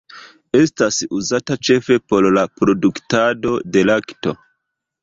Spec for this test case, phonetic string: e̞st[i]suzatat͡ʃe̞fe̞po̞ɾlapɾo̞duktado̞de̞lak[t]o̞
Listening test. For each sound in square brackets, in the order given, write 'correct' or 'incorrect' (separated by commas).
incorrect, correct